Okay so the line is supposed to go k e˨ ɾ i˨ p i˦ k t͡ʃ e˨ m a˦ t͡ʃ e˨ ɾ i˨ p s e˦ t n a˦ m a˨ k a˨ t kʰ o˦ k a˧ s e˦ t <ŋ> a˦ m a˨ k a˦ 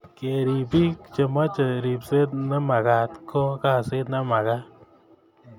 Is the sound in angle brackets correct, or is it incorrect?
incorrect: n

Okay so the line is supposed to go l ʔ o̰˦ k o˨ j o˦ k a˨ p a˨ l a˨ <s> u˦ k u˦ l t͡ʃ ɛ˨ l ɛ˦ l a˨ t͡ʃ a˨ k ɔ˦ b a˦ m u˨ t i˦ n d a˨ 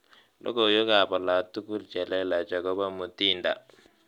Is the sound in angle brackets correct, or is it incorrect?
incorrect: t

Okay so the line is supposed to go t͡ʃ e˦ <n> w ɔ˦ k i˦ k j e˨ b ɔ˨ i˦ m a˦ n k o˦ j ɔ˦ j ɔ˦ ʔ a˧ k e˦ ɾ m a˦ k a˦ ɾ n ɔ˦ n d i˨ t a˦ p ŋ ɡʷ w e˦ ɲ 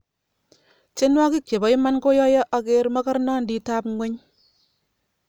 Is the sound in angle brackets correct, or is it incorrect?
correct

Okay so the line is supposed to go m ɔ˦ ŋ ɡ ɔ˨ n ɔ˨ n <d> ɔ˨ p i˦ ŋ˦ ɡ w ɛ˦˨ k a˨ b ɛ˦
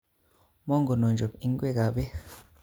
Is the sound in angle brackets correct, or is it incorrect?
incorrect: d͡ʒ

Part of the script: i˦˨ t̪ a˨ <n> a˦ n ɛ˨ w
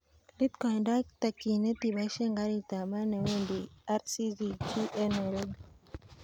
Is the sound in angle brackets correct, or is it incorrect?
incorrect: m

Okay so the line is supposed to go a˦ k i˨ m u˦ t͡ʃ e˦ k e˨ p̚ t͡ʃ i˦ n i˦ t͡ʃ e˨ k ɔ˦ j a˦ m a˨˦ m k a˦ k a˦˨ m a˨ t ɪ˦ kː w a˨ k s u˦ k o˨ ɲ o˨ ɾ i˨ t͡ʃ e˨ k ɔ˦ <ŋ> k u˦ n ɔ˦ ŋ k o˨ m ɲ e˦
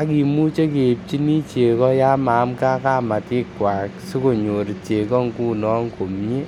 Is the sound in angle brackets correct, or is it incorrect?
correct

